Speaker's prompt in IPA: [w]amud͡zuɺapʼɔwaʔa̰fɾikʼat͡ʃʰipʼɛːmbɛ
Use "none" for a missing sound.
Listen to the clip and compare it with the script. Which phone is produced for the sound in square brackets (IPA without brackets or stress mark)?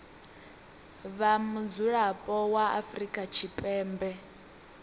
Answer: β